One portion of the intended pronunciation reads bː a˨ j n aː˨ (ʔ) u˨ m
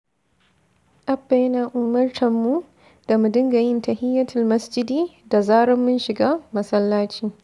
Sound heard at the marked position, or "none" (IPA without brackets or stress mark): ʔ